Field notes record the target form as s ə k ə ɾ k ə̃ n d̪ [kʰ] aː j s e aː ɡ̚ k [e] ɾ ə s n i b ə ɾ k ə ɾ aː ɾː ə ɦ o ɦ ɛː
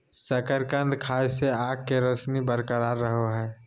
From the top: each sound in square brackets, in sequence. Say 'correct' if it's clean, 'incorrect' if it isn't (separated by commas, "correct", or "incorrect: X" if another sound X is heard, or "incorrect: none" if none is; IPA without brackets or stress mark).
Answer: correct, correct